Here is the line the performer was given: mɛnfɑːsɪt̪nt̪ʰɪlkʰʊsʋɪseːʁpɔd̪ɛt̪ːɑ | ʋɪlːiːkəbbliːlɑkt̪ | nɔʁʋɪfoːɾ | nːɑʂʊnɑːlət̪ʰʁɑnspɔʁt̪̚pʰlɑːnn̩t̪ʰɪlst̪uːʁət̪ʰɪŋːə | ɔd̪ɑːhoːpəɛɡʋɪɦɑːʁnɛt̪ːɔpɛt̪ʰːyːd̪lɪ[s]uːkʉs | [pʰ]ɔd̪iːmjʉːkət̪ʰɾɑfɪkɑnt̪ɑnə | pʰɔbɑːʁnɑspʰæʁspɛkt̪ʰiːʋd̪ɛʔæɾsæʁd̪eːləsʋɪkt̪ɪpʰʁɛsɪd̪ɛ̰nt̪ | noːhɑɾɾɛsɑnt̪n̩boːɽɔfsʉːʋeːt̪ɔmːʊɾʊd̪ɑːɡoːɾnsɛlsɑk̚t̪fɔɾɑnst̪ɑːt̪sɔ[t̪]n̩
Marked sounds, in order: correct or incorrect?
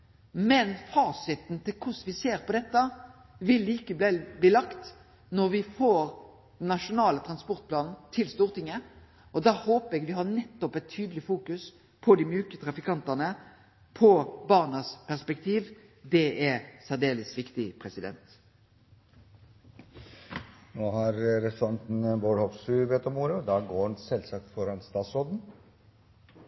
incorrect: f, correct, incorrect: d̪

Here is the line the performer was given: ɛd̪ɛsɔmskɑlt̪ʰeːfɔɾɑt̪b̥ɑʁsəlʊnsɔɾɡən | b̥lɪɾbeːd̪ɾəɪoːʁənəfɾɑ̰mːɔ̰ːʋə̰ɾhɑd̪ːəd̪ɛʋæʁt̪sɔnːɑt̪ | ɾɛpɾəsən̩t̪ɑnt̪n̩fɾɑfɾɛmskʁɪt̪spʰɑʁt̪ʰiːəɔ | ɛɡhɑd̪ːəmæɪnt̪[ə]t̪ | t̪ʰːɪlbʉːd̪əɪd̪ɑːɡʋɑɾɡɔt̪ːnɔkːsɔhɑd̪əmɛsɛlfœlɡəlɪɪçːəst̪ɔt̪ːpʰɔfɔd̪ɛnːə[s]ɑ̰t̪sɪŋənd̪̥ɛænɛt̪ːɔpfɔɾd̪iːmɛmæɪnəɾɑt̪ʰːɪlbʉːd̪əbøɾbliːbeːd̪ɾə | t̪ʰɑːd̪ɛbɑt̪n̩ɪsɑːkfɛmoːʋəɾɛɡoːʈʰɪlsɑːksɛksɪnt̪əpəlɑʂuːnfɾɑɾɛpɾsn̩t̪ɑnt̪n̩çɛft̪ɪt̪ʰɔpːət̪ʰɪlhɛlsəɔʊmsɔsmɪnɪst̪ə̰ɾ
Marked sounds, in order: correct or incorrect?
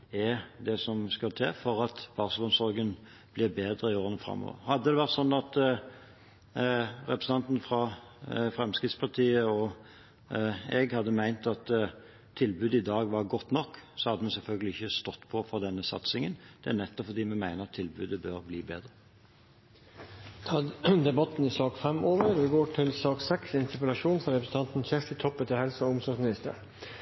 incorrect: ɑ, correct

